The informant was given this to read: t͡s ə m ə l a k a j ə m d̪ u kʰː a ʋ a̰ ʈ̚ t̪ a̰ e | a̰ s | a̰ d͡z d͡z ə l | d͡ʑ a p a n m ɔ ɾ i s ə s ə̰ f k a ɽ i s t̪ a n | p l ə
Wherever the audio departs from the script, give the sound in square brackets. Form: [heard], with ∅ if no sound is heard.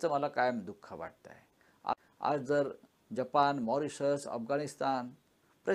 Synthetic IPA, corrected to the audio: t͡s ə m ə l a k a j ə m d̪ u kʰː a ʋ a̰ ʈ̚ t̪ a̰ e | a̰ [∅] | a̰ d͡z d͡z ə [ɾ] | d͡ʑ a p a n m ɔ ɾ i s ə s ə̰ f [ɡ] a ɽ i s t̪ a n | p [ɾ] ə